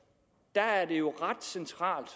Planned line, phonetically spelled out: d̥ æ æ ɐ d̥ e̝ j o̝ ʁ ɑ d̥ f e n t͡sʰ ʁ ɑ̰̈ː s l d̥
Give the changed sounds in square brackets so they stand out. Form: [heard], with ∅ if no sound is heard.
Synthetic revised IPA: d̥ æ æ ɐ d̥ e̝ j o̝ ʁ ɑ d̥ [s] e n t͡sʰ ʁ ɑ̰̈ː [∅] l d̥